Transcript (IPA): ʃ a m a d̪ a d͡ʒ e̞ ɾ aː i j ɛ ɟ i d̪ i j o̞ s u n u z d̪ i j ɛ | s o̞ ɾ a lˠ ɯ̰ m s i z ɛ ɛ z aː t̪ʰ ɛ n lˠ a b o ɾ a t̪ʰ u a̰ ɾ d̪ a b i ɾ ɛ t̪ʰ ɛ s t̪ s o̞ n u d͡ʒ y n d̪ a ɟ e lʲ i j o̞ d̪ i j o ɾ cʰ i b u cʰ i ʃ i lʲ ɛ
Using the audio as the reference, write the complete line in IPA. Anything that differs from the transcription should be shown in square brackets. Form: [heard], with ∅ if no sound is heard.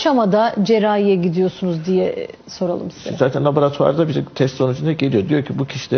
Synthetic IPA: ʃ a m a d̪ a d͡ʒ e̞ ɾ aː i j ɛ ɟ i d̪ i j o̞ s u n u z d̪ i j ɛ | s o̞ ɾ a lˠ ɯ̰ m s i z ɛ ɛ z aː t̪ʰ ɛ n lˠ a b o ɾ a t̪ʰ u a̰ ɾ d̪ a b i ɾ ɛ t̪ʰ ɛ s t̪ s o̞ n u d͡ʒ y n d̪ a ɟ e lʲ i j o̞ d̪ i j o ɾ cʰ i b u cʰ i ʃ i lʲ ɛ